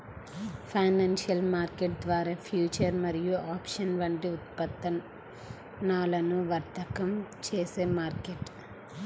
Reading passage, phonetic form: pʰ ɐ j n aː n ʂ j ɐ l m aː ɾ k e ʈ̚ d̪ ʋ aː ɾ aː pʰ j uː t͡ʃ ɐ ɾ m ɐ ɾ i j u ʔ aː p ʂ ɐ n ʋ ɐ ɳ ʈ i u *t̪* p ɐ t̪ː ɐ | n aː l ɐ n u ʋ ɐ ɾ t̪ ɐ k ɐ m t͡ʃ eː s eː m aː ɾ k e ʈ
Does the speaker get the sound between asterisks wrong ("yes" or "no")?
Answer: no